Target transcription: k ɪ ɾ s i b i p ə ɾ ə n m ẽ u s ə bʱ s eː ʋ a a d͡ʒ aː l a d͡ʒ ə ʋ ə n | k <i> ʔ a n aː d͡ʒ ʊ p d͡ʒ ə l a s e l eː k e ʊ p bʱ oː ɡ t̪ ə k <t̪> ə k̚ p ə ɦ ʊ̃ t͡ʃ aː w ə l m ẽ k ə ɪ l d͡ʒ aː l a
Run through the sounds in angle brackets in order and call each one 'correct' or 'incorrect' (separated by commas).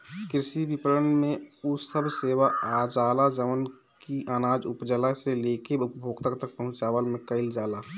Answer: correct, correct